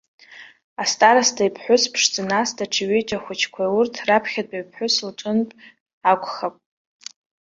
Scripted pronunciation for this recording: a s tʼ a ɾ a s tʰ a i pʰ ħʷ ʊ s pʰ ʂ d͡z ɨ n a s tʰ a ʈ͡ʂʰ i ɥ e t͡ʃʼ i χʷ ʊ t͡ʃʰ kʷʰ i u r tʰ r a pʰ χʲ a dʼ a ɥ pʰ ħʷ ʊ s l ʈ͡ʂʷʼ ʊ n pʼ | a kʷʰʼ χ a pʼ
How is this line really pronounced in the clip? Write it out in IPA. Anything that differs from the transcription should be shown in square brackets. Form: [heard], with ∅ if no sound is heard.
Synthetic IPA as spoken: a s tʼ a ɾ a s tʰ a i pʰ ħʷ ʊ s pʰ ʂ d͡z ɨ n a s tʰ a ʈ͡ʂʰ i ɥ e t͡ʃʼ [a] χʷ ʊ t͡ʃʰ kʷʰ [a] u r tʰ r a pʰ χʲ a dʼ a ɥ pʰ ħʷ ʊ s l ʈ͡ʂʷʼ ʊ n pʼ | a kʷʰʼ χ a pʼ